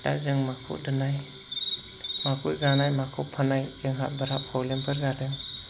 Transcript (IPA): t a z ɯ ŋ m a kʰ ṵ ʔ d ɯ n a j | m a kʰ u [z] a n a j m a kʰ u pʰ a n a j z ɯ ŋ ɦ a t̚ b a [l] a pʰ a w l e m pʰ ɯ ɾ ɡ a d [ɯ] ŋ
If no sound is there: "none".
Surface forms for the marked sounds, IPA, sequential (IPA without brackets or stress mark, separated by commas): z, ɾ, ɯ